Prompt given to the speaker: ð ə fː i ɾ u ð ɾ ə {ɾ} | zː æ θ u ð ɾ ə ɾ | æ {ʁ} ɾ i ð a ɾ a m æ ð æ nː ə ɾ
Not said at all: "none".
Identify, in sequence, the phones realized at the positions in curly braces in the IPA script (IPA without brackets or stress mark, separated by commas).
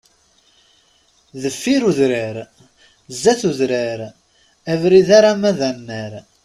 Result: ɾ, v